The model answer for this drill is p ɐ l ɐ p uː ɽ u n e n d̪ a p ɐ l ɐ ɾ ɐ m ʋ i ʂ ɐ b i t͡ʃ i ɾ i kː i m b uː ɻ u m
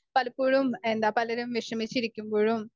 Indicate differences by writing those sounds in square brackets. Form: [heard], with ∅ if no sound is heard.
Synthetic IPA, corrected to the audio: p ɐ l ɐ p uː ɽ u [m] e n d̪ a p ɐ l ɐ ɾ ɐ m ʋ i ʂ ɐ [m] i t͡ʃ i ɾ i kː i m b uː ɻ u m

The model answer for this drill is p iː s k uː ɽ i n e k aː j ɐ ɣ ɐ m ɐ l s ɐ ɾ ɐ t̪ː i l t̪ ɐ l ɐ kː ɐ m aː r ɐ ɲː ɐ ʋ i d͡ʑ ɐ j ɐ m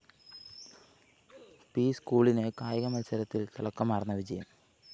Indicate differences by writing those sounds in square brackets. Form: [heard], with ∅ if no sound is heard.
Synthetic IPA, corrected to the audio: p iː s k uː [ɭ] i n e k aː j ɐ ɣ ɐ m ɐ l s ɐ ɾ ɐ t̪ː i l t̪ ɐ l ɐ kː ɐ m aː r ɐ [nː] ɐ ʋ i d͡ʑ ɐ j ɐ m

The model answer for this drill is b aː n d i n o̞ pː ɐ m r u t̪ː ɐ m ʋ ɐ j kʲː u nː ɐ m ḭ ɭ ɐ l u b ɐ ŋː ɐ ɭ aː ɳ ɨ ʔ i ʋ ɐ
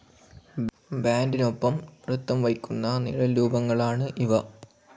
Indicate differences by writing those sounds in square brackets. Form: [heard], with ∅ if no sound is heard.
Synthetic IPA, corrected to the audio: b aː n d i n o̞ pː ɐ m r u t̪ː ɐ m ʋ ɐ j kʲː u nː ɐ [n] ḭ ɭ ɐ l [uː] b ɐ ŋː ɐ ɭ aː ɳ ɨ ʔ i ʋ ɐ

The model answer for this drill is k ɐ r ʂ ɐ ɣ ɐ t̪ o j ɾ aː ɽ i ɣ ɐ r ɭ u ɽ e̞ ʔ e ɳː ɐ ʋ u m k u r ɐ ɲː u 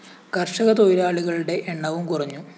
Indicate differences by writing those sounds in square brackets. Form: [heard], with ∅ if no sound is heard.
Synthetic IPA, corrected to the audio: k ɐ r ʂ ɐ ɣ ɐ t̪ o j ɾ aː [ɭ] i ɣ ɐ [∅] ɭ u ɽ e̞ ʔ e ɳː ɐ ʋ u m k u r ɐ ɲː u

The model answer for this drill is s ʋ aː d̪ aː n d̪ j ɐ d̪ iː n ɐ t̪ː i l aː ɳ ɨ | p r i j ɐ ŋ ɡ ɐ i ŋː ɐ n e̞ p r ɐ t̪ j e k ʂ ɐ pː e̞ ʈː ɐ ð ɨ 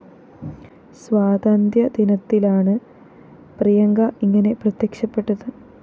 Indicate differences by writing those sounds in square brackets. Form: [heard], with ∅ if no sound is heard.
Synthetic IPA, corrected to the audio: s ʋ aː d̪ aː n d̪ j ɐ d̪ [i] n ɐ t̪ː i l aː ɳ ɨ | p r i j ɐ ŋ ɡ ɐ i ŋː ɐ n e̞ p r ɐ t̪ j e k ʂ ɐ pː e̞ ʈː ɐ ð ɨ

